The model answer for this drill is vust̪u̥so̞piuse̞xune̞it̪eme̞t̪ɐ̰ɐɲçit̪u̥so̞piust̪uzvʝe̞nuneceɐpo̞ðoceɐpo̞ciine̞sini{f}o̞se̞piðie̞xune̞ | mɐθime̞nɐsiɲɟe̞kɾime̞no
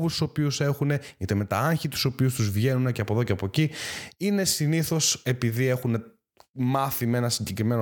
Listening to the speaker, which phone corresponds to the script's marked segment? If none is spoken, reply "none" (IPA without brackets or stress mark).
θ